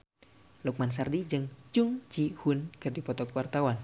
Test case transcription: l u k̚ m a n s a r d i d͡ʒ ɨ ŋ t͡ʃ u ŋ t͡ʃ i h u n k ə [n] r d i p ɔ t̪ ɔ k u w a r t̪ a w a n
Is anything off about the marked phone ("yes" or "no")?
yes